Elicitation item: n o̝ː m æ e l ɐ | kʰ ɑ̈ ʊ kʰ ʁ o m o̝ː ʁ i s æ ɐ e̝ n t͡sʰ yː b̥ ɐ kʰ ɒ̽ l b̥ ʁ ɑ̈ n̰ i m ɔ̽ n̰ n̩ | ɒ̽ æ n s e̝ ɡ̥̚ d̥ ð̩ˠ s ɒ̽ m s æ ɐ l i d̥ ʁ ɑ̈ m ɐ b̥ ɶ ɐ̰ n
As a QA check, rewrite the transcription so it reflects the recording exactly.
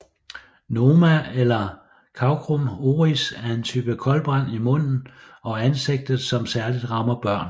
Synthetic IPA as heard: n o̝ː m æ e l ɐ | kʰ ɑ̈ ʊ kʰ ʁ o m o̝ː ʁ i s æ ɐ e̝ n t͡sʰ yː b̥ ə kʰ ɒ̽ l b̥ ʁ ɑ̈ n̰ i m ɔ̽ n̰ n̩ | ɒ̽ æ n s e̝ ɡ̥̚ d̥ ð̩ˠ s ɒ̽ m s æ ɐ l i d̥ ʁ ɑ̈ m ɐ b̥ ɶ ɐ̰ n

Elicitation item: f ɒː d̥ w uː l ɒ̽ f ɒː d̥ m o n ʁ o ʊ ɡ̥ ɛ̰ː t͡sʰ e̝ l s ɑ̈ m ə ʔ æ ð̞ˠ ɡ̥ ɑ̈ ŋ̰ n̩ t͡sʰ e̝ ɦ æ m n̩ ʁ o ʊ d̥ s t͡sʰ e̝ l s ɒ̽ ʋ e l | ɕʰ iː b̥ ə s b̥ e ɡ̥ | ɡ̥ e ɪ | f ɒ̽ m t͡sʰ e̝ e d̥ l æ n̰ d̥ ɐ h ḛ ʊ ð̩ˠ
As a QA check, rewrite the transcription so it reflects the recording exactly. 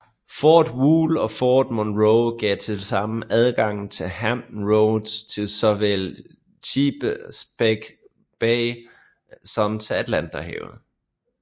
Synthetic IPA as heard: f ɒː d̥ w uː l ɒ̽ f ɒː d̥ m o n ʁ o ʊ ɡ̥ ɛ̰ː t͡sʰ e̝ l s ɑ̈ m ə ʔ æ ð̞ˠ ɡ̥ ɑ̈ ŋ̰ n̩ t͡sʰ e̝ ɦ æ m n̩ ʁ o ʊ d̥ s t͡sʰ e̝ l s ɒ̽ ʋ e l | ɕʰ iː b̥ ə s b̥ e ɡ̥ | b̥ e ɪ | s ɒ̽ m t͡sʰ e̝ æ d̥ l æ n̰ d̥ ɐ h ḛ ʊ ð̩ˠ

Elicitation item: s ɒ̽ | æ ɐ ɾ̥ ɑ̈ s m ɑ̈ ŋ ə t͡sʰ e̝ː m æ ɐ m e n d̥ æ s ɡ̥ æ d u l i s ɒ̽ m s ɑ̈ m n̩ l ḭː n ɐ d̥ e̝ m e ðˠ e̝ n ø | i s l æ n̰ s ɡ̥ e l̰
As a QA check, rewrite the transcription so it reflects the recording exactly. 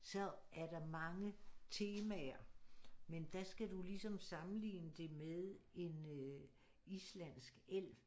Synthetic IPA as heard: s ɒ̽ | æ ɐ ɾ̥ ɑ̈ m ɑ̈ ŋ ə t͡sʰ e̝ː m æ ɐ m e n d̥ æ s ɡ̥ æ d u l i s ɒ̽ m s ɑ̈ m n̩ l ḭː n ə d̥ e̝ m e ðˠ e̝ n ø | i s l æ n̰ s ɡ̥ e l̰

